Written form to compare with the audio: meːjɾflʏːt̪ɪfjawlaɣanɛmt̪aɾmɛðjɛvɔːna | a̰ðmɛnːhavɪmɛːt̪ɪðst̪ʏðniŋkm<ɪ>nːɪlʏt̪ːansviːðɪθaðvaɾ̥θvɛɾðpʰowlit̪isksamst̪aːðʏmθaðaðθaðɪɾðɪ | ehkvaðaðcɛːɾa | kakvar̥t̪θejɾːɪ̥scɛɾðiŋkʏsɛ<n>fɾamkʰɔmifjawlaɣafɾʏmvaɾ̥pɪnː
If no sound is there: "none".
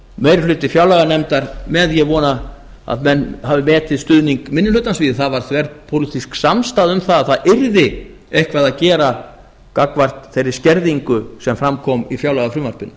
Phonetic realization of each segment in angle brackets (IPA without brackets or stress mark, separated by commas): ɪ, m